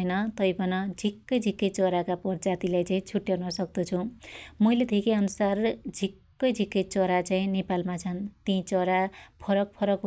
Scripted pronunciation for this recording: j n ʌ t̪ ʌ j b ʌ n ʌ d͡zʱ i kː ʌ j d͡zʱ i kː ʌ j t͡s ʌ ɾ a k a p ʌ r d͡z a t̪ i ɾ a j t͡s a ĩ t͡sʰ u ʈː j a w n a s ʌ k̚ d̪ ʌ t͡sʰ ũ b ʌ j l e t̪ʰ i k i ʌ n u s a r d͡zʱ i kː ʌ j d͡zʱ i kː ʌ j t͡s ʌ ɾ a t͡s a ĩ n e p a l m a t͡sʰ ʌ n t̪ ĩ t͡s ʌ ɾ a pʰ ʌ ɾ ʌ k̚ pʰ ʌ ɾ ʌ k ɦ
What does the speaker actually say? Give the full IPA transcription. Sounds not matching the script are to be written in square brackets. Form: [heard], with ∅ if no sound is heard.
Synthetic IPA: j n ʌ t̪ ʌ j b ʌ n ʌ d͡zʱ i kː ʌ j d͡zʱ i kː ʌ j t͡s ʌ ɾ a k a p ʌ r d͡z a t̪ i [l] a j t͡s a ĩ t͡sʰ u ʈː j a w n [ʌ] s ʌ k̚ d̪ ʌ t͡sʰ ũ [m] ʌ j l e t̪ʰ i k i ʌ n u s a r d͡zʱ i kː ʌ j d͡zʱ i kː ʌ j t͡s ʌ ɾ a t͡s a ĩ n e p a l m a t͡sʰ ʌ n t̪ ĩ t͡s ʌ ɾ a pʰ ʌ ɾ ʌ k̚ pʰ ʌ ɾ ʌ k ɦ